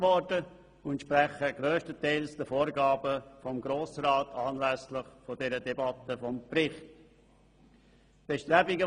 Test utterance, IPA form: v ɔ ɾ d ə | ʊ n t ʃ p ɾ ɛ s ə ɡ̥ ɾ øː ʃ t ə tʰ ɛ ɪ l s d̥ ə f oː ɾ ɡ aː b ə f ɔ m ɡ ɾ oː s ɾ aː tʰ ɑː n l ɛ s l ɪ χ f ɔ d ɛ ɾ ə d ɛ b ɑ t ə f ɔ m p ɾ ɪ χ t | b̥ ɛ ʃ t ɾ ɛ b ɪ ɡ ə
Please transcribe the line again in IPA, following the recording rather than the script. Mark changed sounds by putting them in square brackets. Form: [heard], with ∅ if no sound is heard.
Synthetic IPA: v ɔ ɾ d ə | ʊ n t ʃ p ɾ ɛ [χ] ə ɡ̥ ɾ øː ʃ t ə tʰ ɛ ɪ l s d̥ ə f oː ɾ ɡ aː b ə f ɔ m ɡ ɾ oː s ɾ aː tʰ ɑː n l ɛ s l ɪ χ f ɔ d ɛ ɾ ə d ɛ b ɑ t ə f ɔ m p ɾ ɪ χ t | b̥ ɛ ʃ t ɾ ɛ b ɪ ɡ ə